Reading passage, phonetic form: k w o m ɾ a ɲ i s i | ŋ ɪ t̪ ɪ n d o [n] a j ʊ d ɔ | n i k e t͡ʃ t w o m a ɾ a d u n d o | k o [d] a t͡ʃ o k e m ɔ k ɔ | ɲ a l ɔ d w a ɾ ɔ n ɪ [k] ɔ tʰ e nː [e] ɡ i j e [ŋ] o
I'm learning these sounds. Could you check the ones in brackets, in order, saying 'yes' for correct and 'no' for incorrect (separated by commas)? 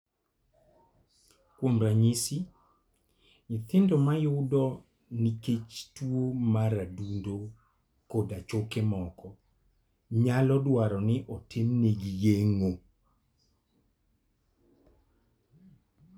no, yes, no, yes, yes